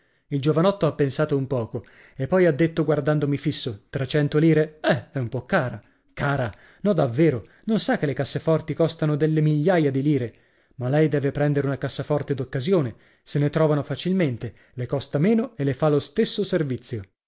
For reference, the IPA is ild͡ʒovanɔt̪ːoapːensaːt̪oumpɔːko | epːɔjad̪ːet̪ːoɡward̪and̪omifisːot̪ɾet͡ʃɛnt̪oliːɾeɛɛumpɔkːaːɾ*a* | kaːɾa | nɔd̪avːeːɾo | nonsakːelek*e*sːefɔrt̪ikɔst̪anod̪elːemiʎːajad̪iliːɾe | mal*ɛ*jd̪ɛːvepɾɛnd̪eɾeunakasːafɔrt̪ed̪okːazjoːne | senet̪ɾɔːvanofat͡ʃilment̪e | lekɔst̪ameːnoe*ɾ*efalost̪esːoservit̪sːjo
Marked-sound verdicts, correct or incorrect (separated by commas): correct, incorrect, correct, incorrect